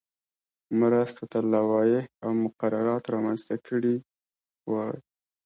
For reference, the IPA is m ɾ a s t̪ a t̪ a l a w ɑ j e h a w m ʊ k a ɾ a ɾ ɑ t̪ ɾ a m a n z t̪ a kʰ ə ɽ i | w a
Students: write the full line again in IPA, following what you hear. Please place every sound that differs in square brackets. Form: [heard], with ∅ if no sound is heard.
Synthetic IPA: m ɾ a s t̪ a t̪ a l a w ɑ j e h a w m ʊ [q] a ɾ a ɾ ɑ t̪ ɾ [ɑ] m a n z t̪ a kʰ ə ɽ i | w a